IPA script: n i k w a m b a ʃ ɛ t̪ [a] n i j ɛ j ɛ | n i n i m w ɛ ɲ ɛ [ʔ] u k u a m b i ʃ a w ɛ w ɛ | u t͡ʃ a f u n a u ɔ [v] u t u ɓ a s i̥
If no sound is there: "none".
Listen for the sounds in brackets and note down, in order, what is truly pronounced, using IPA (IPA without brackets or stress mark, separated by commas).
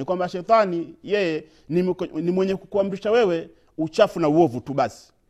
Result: a, k, v